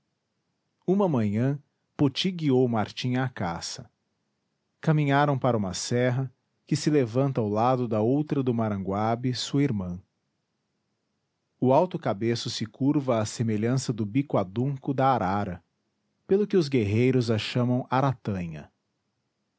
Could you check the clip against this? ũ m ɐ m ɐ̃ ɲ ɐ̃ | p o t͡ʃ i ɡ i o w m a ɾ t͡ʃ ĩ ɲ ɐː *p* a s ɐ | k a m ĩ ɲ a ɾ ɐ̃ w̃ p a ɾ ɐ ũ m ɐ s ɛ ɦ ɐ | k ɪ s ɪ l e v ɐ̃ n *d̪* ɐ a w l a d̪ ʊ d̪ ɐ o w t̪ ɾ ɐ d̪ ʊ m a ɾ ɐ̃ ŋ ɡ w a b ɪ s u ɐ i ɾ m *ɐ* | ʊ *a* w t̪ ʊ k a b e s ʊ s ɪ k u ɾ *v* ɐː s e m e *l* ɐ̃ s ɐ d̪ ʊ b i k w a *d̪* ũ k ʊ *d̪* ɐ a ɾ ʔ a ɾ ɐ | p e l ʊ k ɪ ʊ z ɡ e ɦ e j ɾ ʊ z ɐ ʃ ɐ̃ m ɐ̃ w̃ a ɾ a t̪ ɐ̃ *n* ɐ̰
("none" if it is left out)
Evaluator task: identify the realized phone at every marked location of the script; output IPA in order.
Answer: k, t̪, ɐ̃, a, v, ʎ, d̪, d̪, ɲ

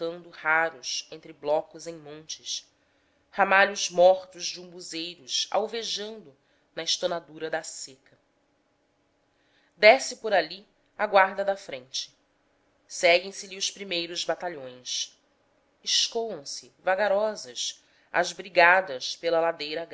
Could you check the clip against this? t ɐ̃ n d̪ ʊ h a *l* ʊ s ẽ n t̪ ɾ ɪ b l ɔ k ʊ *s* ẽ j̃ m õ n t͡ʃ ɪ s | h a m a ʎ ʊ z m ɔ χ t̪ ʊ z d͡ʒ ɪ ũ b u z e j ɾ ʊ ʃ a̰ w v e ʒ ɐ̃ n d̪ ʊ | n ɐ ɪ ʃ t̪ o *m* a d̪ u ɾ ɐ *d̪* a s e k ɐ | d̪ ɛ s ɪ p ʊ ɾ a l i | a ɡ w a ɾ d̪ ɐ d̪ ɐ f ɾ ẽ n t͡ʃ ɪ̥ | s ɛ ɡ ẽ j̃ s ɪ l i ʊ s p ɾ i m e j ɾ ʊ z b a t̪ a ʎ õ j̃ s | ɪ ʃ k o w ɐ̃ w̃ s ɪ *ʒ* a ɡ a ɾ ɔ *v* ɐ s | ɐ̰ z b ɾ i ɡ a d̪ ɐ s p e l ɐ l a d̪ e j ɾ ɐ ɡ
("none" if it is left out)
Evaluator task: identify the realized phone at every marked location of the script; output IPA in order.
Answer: ɾ, z, n, d̪, v, z

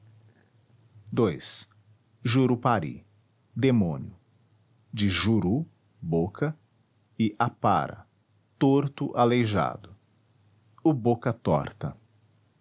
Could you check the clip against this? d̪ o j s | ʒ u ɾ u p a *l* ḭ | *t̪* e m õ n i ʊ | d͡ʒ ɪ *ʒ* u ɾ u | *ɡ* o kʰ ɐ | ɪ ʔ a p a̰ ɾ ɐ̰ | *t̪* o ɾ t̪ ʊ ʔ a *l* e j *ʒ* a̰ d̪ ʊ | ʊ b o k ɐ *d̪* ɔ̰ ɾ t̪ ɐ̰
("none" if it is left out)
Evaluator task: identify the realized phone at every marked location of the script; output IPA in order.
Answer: ɾ, d̪, ʒ, b, t̪, l, ʒ, t̪

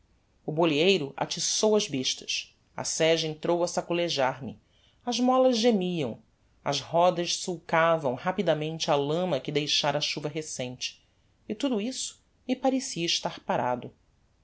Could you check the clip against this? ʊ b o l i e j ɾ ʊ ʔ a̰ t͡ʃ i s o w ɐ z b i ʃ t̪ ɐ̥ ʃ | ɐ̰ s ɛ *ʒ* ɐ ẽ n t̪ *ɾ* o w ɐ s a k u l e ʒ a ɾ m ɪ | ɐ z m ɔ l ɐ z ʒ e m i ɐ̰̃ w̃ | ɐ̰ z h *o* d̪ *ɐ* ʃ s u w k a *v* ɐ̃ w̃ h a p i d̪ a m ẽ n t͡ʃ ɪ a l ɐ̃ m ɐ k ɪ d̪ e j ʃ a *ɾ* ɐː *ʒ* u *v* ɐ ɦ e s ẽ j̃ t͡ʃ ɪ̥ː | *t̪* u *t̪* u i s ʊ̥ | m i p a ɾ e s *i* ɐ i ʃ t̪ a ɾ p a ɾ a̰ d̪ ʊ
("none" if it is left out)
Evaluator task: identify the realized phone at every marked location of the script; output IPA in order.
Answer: ʒ, ɾ, ɔ, ɐ, v, ɾ, ʃ, v, t̪, d̪, i

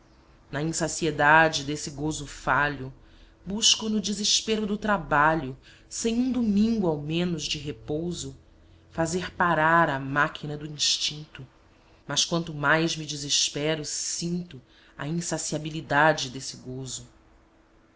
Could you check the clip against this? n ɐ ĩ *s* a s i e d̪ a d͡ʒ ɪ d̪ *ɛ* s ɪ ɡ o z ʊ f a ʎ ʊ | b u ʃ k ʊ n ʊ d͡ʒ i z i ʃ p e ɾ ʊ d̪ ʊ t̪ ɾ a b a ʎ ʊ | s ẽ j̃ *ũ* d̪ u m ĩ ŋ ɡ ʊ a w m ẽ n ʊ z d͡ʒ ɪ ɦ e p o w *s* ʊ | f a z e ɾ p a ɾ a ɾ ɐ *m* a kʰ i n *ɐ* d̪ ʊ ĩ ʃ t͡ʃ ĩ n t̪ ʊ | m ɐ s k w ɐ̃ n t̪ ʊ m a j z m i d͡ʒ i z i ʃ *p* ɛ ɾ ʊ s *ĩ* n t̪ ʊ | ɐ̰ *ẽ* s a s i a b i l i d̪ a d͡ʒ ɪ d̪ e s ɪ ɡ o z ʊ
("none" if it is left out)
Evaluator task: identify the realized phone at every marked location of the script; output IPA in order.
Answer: s, e, ũ, z, m, ɐ, p, ĩ, ĩ

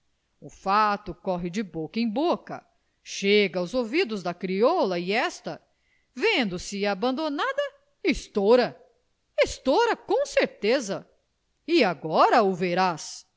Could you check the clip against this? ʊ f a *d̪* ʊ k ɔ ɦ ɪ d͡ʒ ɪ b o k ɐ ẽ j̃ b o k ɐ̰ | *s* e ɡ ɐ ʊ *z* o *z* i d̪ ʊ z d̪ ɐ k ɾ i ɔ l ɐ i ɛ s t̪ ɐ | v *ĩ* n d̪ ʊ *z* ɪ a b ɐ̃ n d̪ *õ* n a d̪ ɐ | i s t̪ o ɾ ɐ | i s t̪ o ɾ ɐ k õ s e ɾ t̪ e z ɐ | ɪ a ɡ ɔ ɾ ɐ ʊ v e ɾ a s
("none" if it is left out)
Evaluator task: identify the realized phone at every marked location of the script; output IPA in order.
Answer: t̪, ʃ, z, v, ẽ, s, o

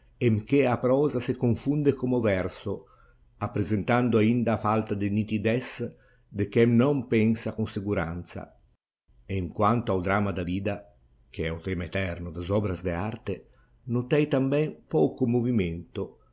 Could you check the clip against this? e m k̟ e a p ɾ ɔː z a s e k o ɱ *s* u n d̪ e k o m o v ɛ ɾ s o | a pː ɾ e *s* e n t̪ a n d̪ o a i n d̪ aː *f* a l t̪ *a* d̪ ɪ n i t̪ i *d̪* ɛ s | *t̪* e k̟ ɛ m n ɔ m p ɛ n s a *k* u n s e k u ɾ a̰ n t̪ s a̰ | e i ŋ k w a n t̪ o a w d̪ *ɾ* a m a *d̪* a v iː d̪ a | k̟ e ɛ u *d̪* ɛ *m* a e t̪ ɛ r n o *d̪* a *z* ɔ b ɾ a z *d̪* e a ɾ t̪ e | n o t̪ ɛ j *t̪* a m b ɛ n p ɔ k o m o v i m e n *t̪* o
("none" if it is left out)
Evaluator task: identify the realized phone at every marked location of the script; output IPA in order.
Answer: f, z, f, a, d̪, d̪, k, ɾ, d̪, t̪, m, d̪, z, d̪, t̪, t̪

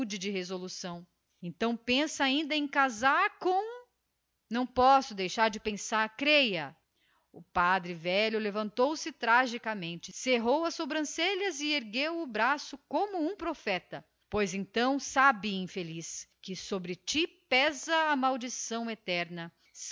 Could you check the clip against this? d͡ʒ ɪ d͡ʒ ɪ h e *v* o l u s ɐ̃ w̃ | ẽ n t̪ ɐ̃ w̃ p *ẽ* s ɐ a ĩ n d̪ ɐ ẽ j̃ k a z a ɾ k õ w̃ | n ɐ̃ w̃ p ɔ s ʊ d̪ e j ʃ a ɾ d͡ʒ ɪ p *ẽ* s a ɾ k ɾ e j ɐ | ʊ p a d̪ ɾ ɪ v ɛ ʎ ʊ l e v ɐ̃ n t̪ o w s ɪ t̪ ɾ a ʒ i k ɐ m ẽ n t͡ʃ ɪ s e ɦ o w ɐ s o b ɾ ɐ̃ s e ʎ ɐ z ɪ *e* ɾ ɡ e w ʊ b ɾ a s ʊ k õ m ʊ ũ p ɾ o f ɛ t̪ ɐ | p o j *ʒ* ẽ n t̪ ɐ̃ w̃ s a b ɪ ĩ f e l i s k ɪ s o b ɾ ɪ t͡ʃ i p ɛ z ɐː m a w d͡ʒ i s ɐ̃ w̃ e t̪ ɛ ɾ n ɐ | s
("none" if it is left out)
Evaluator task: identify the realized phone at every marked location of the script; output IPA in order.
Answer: z, ẽ, ẽ, e, z

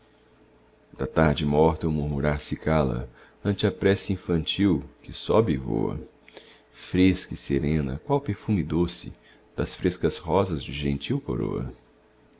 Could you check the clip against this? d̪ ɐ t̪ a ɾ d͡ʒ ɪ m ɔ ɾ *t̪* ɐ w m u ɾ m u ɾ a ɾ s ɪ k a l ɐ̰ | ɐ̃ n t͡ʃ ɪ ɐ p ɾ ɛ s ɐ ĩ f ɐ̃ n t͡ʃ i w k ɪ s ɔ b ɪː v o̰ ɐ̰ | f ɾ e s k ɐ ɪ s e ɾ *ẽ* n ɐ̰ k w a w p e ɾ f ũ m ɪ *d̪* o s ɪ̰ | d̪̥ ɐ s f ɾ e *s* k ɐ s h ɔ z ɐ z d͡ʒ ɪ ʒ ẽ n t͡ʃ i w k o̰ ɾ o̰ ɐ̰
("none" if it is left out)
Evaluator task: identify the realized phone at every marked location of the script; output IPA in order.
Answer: t̪, ẽ, d̪, s

